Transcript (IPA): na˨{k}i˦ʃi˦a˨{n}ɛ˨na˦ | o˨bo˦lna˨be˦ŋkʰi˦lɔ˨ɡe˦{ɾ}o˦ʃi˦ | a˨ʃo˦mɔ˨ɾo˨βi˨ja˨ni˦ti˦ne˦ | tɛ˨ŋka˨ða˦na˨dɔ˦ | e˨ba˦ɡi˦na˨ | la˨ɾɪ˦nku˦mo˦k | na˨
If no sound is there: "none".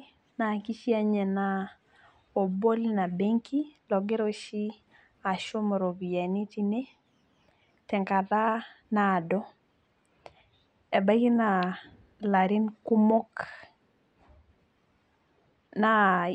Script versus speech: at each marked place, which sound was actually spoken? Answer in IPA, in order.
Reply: k, ɲ, ɾ

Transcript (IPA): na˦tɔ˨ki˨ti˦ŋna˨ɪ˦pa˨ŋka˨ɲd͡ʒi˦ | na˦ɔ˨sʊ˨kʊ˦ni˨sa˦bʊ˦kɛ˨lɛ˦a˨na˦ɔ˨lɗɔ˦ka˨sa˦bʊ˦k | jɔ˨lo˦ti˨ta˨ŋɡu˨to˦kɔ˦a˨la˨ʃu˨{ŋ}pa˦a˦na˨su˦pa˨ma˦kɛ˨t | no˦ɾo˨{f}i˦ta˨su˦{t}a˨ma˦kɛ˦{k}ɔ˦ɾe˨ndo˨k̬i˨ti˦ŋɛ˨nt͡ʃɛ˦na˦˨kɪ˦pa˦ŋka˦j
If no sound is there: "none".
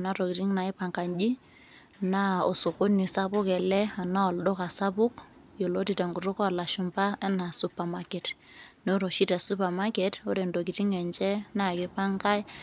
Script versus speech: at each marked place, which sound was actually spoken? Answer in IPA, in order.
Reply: m, ʃ, p, t

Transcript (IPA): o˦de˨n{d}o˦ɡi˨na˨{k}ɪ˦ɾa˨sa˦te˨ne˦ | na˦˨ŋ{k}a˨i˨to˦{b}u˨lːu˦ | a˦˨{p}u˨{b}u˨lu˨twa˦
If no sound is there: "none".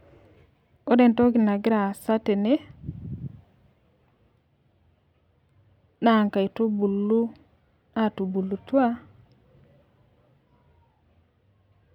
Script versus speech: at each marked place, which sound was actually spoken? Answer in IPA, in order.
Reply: t, ɡ, k, b, t, b

